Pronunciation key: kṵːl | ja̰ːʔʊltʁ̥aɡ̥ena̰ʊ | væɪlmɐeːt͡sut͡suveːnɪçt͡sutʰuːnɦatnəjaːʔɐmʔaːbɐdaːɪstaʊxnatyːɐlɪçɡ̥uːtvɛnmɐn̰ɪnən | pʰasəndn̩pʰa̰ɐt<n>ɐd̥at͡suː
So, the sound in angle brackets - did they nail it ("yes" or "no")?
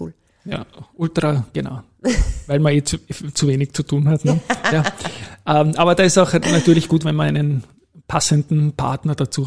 yes